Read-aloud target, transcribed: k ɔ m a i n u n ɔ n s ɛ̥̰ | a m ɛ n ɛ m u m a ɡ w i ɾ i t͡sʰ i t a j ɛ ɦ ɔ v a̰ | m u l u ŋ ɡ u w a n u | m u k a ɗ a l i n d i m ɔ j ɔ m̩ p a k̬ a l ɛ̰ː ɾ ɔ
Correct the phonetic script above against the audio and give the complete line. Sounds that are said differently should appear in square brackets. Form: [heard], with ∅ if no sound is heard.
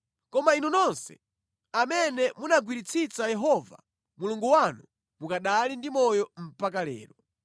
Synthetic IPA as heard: k ɔ m a i n u n ɔ n s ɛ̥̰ | a m ɛ n ɛ m u [n] a ɡ w i ɾ i t͡sʰ i [t͡s] a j ɛ ɦ ɔ v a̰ | m u l u ŋ ɡ u w a n u | m u k a ɗ a l i n d i m ɔ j ɔ m̩ p a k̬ a l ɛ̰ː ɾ ɔ